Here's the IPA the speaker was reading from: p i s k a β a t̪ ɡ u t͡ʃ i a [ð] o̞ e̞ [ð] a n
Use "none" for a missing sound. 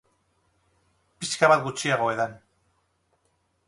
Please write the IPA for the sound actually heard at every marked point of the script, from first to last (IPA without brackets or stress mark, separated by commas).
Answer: ɣ, ð